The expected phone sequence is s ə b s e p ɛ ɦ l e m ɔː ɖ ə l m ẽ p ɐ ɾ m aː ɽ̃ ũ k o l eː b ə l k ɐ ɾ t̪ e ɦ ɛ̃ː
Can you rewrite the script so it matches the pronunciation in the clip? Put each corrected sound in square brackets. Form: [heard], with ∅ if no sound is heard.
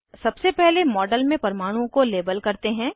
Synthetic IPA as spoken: s [ɐ] b s e p ɛ ɦ l e m ɔː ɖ ə l m ẽ p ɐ ɾ m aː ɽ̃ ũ k o l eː b ə l k ɐ ɾ t̪ e ɦ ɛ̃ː